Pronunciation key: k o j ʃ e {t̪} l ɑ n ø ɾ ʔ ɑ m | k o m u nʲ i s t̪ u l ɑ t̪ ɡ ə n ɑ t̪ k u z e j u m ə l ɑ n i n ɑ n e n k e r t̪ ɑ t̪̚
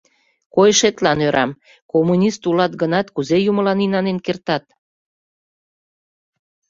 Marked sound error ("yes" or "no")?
no